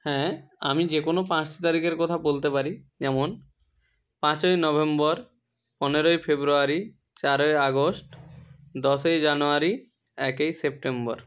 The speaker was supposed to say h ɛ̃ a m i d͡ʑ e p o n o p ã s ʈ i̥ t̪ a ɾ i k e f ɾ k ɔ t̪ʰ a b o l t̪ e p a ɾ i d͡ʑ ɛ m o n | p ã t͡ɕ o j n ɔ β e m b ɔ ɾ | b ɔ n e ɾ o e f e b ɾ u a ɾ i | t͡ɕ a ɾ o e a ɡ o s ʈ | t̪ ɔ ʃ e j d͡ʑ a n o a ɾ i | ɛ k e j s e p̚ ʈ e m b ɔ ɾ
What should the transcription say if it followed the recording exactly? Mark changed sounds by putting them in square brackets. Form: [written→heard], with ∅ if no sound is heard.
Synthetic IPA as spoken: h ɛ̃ a m i d͡ʑ e [p→k] o n o p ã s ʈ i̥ t̪ a ɾ i k e [f→∅] ɾ k ɔ t̪ʰ a b o l t̪ e p a ɾ i d͡ʑ ɛ m o n | p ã t͡ɕ o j n ɔ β e m b ɔ ɾ | [b→p] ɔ n e ɾ o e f e b ɾ u a ɾ i | t͡ɕ a ɾ o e a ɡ o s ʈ | [t̪→d̪] ɔ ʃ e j d͡ʑ a n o a ɾ i | ɛ k e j s e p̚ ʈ e m b ɔ ɾ